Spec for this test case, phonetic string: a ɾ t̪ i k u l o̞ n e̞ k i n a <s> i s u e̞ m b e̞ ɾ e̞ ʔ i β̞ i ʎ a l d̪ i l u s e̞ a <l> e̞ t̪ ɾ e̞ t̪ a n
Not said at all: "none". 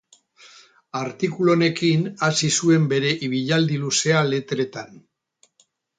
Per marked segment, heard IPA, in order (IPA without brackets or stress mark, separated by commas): s, l